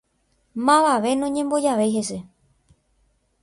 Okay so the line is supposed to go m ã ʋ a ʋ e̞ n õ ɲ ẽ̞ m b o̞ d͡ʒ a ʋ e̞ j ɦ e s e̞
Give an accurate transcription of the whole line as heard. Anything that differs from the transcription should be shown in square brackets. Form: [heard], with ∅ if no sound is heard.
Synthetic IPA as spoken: m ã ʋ a ʋ e̞ n õ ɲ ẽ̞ m b o̞ d͡ʒ a ʋ e̞ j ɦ e s e̞